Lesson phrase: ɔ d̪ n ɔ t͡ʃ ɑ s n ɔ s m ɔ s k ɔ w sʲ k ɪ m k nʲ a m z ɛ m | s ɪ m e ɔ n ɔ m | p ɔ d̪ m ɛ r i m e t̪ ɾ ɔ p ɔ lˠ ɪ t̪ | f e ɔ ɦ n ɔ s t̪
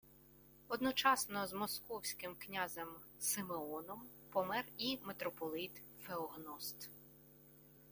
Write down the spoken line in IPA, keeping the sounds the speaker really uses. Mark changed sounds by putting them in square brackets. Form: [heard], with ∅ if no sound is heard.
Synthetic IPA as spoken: ɔ d̪ n ɔ t͡ʃ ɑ s n ɔ [z] m ɔ s k ɔ w sʲ k ɪ m k nʲ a [∅] z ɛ m | s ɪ m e ɔ n ɔ m | p ɔ [∅] m ɛ r i m e t̪ ɾ ɔ p ɔ lˠ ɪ t̪ | f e ɔ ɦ n ɔ s t̪